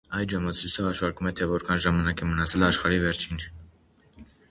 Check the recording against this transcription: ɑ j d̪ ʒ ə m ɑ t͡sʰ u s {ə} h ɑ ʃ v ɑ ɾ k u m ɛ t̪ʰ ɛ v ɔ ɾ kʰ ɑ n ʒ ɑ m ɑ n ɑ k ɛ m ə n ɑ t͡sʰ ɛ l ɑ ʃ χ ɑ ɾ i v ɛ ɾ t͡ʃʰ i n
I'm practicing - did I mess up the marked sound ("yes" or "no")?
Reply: no